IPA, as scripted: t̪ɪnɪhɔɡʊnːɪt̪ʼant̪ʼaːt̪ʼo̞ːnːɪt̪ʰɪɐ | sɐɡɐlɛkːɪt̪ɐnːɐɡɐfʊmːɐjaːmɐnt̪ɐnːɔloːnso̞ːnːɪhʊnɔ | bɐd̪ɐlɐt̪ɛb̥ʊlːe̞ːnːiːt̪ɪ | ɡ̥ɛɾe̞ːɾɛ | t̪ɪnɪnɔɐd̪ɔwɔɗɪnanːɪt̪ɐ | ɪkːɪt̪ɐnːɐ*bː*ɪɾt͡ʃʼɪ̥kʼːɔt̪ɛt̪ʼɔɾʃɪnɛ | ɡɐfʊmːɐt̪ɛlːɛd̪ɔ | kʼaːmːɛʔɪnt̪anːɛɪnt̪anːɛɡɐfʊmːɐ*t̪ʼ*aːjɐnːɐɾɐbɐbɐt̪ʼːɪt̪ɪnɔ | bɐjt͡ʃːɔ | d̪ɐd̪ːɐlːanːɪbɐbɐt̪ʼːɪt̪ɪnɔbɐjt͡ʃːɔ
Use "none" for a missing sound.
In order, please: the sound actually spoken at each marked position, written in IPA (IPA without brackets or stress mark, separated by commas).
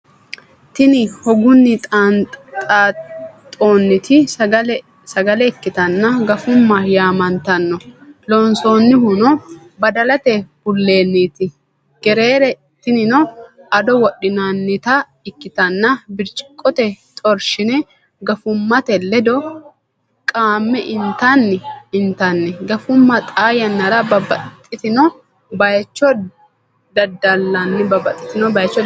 b, t̪ʼ